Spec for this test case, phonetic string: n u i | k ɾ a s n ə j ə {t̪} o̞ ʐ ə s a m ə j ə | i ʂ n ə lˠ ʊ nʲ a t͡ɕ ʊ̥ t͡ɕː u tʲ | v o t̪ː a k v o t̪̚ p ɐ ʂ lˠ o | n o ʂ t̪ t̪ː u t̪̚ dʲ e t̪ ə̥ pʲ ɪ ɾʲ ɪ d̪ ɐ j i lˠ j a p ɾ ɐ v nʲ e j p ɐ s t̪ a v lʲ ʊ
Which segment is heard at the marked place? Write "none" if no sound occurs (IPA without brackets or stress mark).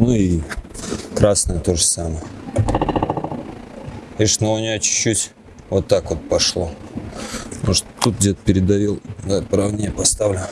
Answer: t̪